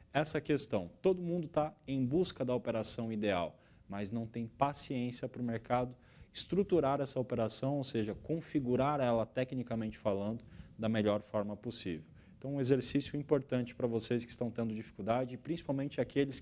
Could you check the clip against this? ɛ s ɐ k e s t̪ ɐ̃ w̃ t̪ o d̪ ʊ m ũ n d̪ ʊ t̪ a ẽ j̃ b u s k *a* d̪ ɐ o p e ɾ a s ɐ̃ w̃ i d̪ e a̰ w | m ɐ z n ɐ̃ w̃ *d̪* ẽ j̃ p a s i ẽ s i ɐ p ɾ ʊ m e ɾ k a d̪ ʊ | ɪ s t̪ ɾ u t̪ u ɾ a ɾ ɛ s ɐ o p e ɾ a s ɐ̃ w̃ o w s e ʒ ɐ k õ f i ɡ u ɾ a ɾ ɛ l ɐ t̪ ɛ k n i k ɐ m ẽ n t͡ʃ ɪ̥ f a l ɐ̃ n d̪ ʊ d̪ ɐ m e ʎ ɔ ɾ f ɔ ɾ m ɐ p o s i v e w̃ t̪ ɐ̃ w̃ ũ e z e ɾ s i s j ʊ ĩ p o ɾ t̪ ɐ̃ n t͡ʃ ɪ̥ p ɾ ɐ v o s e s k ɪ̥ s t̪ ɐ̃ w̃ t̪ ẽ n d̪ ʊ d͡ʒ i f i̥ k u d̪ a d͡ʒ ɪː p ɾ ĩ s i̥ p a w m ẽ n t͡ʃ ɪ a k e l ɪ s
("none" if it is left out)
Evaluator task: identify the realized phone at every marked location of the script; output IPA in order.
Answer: ɐ, t̪

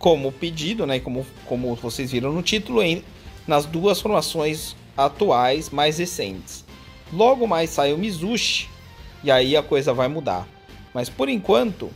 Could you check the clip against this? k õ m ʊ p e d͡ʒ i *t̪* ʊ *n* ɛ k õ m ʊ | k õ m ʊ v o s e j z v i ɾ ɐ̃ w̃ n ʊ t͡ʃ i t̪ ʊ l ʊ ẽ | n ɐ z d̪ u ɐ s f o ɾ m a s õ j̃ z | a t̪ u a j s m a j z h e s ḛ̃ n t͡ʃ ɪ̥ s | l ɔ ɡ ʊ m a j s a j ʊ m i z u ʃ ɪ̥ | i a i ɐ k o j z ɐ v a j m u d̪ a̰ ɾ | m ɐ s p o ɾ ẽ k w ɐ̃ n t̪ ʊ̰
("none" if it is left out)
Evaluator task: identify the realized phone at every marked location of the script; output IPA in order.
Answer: d̪, n

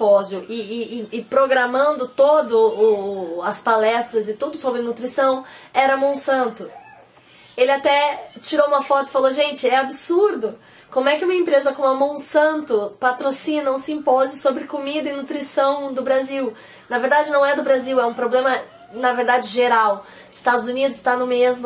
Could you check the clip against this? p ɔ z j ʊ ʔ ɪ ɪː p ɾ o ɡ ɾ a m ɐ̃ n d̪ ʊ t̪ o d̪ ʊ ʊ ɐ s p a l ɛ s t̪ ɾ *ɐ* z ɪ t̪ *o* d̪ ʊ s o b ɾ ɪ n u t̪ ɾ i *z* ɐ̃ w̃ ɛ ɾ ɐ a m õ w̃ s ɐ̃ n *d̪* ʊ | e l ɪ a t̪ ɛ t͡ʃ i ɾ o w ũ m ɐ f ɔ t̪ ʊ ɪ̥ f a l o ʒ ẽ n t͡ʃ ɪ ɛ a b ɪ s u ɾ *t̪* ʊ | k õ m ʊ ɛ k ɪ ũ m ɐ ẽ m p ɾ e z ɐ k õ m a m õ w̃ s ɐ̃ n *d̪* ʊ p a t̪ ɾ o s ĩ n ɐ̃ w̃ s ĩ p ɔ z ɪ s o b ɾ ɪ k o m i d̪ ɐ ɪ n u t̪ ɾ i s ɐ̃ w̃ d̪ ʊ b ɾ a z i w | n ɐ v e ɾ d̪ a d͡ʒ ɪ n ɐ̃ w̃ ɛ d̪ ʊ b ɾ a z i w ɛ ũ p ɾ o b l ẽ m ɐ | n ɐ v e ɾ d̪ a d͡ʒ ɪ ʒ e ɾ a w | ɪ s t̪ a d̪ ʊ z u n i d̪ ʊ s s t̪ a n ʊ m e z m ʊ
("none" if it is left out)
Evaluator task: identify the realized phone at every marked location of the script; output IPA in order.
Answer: ɐ, u, s, t̪, d̪, t̪

